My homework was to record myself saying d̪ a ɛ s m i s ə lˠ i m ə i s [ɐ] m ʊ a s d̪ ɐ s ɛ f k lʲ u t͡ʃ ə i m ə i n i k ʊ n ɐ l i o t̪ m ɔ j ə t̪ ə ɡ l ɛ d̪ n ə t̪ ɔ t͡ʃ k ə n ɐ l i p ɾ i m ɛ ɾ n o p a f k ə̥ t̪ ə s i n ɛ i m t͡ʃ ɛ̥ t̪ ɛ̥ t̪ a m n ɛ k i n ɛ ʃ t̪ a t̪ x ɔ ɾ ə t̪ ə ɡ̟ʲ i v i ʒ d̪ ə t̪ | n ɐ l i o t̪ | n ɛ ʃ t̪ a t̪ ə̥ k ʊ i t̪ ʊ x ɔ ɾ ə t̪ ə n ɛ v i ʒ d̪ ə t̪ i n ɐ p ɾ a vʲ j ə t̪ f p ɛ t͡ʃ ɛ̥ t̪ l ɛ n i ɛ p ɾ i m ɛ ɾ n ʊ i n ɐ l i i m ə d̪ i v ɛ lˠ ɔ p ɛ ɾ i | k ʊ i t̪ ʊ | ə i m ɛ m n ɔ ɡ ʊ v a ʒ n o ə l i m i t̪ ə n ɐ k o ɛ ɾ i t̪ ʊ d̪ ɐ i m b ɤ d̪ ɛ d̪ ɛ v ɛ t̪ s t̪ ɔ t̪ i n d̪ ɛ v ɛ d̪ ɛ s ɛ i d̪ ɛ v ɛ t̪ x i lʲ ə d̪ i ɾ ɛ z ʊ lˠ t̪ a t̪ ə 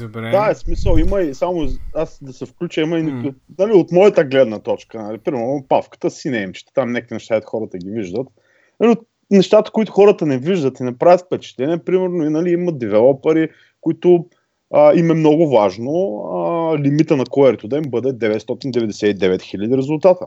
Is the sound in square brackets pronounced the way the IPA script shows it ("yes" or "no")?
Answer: no